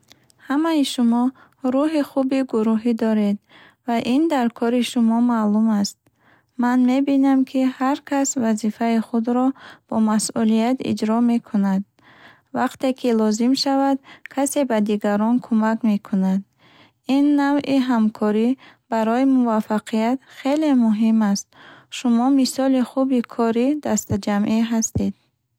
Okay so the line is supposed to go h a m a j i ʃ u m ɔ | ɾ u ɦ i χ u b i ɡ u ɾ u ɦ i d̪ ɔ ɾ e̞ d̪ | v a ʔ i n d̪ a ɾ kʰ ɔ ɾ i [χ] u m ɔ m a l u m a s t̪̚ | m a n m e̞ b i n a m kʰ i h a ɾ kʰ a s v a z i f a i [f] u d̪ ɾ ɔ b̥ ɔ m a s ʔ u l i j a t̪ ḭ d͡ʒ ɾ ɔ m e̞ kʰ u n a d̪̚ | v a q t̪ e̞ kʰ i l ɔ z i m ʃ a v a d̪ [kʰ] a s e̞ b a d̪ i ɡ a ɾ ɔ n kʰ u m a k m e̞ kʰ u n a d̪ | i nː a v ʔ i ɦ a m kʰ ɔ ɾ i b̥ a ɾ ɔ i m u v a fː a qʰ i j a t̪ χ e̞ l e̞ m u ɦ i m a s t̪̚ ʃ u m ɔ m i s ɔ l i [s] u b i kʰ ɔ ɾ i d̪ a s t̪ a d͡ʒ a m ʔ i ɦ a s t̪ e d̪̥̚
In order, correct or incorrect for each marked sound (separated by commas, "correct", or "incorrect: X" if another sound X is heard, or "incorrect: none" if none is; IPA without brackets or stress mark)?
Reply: incorrect: ʃ, incorrect: χ, correct, incorrect: χ